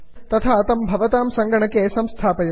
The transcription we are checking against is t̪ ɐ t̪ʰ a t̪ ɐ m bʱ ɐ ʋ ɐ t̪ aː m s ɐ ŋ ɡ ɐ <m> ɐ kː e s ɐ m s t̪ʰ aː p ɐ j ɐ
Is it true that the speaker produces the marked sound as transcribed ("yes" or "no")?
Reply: no